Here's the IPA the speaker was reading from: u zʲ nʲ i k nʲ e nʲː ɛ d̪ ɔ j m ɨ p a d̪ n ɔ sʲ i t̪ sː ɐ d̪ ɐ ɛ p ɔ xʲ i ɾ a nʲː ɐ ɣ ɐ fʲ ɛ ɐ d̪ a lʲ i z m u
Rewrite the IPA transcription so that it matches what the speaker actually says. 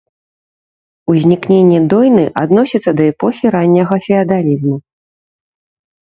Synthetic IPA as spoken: u zʲ nʲ i k nʲ e nʲː ɛ d̪ ɔ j n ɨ ʔ a d̪ n ɔ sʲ i t̪ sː ɐ d̪ ɐ ɛ p ɔ xʲ i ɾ a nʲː ɐ ɣ ɐ fʲ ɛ ɐ d̪ a lʲ i z m u